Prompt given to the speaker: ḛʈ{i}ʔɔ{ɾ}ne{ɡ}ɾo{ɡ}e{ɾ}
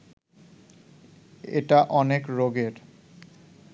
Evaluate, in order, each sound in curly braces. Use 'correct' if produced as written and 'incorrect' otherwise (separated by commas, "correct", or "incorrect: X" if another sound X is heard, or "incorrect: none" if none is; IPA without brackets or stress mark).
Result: incorrect: a, incorrect: none, incorrect: k, correct, correct